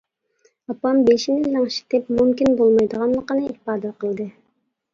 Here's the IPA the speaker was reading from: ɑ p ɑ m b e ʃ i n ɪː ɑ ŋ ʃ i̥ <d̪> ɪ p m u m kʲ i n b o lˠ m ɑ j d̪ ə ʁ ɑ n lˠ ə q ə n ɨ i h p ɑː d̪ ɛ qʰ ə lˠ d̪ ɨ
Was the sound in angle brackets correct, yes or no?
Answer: no